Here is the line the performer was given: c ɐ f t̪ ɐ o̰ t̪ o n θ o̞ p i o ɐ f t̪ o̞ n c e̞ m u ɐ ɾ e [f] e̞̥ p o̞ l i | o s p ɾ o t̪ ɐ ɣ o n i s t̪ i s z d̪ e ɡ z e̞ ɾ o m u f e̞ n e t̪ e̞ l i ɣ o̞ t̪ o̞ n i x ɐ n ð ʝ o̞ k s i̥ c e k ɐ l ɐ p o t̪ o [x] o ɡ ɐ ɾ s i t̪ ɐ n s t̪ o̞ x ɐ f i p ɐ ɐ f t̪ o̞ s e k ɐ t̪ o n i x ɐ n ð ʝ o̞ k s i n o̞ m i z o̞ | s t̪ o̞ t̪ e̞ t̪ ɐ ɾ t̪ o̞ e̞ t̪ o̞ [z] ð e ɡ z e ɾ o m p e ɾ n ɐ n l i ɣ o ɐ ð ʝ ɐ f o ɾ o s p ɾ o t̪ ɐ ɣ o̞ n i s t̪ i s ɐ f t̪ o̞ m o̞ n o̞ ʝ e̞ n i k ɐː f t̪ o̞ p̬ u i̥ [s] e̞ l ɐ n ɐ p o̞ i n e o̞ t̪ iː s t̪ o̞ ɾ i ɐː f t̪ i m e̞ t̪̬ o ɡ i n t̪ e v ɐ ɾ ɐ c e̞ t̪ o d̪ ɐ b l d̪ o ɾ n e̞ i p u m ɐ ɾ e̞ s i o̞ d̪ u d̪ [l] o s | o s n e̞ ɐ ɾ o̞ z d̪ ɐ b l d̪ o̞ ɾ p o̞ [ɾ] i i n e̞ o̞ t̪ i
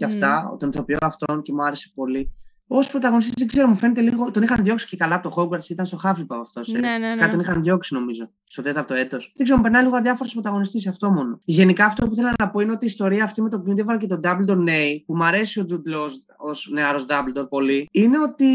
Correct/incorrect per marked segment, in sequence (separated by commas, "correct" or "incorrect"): incorrect, correct, incorrect, incorrect, correct, incorrect